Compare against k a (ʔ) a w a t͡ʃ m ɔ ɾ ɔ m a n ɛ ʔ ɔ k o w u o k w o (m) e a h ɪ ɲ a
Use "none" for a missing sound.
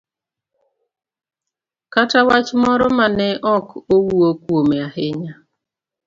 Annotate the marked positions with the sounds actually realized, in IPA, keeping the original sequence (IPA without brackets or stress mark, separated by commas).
t, m